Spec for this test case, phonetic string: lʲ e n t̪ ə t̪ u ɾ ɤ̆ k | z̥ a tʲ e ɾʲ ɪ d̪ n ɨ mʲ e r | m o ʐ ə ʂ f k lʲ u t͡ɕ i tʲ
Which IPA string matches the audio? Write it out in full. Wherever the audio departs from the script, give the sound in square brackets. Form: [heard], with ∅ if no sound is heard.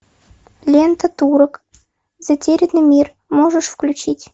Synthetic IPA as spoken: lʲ e n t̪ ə t̪ u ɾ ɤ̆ k | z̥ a tʲ e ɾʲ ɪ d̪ n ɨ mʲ [i] r | m o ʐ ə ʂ f k lʲ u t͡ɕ i tʲ